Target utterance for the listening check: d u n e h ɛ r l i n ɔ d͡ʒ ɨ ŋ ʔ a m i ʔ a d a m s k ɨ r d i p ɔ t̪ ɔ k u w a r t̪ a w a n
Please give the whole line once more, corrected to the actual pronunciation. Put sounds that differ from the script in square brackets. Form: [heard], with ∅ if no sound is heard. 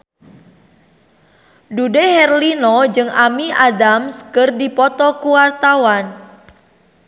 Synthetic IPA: d u [d] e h ɛ r l i n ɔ d͡ʒ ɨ ŋ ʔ a m i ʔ a d a m s k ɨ r d i p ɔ t̪ ɔ k u w a r t̪ a w a n